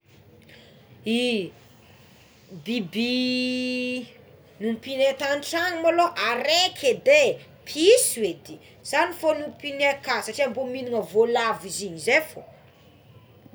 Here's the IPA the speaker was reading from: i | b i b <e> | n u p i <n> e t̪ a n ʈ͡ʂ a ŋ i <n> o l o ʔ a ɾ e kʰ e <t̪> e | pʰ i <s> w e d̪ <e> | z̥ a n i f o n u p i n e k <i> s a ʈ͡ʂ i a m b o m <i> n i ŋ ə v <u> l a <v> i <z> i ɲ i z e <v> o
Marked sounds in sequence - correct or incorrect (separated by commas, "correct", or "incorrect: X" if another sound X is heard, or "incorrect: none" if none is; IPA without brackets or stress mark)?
incorrect: i, correct, incorrect: m, incorrect: d̪, correct, incorrect: i, incorrect: a, correct, incorrect: o, correct, correct, incorrect: f